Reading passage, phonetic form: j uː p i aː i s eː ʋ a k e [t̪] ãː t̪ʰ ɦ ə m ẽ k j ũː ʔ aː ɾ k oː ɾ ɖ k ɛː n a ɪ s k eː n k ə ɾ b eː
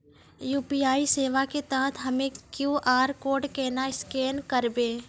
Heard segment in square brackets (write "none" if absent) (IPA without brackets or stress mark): t̪